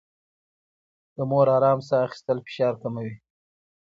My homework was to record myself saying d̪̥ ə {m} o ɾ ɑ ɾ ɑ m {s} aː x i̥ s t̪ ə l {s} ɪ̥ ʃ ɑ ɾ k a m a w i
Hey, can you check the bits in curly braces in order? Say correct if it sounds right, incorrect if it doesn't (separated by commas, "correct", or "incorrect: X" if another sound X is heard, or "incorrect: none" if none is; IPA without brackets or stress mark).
correct, correct, incorrect: f